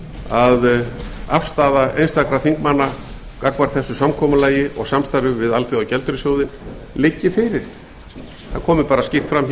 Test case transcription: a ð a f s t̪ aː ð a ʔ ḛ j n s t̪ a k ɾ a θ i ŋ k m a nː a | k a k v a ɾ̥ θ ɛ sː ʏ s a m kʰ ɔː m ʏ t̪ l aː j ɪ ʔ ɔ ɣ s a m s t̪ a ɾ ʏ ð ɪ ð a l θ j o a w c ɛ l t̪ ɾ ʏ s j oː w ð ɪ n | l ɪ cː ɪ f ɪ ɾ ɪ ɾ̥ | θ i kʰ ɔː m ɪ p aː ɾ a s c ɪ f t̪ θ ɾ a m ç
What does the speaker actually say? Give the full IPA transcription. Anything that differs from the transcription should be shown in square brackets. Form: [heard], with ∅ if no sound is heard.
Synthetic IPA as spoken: a ð a f s t̪ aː ð a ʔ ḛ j n s t̪ a k ɾ a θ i ŋ k m a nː a | k a k v a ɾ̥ θ ɛ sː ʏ s a m kʰ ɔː m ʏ [∅] l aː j ɪ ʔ ɔ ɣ s a m s t̪ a ɾ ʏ [v] ɪ ð a l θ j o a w c ɛ l t̪ ɾ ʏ s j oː w ð ɪ n | l ɪ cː ɪ f ɪ ɾ ɪ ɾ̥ | θ [a] kʰ ɔː m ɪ p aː ɾ a s c ɪ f t̪ [f] ɾ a m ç